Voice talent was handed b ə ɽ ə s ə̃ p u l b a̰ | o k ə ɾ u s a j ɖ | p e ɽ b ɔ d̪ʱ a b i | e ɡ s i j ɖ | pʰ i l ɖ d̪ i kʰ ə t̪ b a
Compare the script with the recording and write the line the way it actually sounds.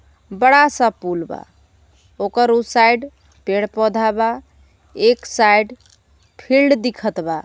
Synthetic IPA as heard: b ə ɽ a s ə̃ p u l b a̰ | o k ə ɾ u s a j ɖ | p e ɽ p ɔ d̪ʱ a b a | e k s a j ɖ | pʰ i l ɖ d̪ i kʰ ə t̪ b a